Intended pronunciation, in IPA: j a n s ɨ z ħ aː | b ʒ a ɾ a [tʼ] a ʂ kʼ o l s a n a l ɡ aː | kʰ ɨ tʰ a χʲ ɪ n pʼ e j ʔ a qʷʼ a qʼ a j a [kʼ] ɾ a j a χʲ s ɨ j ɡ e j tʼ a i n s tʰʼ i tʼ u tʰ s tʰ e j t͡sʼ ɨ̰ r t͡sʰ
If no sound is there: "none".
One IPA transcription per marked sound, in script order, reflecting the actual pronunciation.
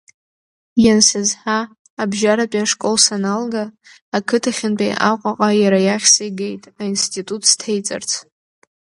pʼ, none

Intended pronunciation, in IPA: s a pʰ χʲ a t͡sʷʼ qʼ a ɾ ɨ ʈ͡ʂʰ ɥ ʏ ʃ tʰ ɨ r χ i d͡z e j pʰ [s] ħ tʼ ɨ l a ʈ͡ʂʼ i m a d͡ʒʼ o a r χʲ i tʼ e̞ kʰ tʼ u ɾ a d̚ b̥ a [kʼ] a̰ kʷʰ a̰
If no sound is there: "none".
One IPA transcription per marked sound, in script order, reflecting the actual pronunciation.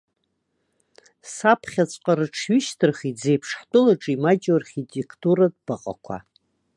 ʂ, qʼ

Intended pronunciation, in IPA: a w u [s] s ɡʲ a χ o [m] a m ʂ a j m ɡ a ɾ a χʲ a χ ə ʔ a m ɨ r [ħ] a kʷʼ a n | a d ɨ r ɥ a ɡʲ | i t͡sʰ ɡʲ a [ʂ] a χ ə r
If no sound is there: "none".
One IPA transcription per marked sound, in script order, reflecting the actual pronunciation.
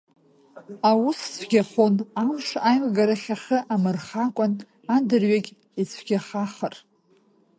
s, n, χ, χ

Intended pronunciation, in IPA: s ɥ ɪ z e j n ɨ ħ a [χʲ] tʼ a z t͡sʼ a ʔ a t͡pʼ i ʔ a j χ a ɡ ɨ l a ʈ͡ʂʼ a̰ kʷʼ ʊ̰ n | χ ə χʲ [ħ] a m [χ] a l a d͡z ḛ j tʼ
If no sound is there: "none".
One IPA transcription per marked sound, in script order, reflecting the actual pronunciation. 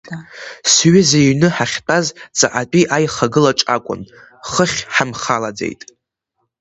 χʲ, ħ, χ

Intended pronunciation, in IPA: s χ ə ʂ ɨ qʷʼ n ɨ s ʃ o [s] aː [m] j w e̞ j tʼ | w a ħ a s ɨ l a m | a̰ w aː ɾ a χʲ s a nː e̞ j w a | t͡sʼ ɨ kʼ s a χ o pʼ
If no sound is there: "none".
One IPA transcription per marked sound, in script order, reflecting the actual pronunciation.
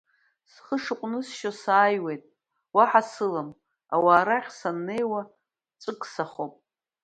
s, none

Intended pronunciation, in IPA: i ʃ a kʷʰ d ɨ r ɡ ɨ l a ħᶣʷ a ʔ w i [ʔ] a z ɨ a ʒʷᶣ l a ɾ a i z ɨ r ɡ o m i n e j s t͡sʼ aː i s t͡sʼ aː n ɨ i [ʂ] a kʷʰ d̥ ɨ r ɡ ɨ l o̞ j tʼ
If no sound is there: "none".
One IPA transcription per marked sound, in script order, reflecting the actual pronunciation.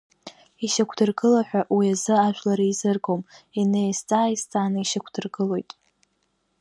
none, ʃ

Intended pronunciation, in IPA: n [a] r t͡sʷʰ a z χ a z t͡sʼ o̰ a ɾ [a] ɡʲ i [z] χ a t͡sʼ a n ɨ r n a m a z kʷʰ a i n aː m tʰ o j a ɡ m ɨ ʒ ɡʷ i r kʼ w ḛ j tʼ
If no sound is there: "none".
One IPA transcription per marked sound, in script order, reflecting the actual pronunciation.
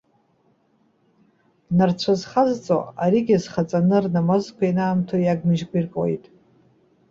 a, i, z

